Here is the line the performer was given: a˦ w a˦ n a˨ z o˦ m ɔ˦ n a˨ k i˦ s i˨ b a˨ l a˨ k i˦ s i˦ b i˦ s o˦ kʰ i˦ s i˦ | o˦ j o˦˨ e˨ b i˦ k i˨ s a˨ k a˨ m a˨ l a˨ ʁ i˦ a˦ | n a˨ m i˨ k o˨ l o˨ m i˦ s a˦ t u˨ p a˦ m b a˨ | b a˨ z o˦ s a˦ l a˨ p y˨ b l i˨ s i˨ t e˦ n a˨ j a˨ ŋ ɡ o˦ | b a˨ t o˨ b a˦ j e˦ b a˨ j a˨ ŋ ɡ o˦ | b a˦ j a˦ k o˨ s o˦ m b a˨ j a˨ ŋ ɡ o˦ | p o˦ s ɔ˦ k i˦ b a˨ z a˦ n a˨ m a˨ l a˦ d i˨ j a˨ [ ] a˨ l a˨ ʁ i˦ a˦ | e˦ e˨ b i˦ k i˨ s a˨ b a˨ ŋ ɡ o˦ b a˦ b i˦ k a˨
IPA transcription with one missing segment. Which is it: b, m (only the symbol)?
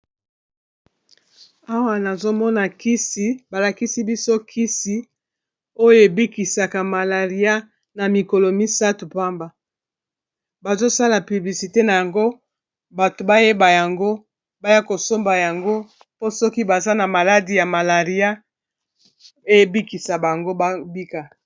m